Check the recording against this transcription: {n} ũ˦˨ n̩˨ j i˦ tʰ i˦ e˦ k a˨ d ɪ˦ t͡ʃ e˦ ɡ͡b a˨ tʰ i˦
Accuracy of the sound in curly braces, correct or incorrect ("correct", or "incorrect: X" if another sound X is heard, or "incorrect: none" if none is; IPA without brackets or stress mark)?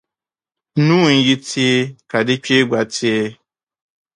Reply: correct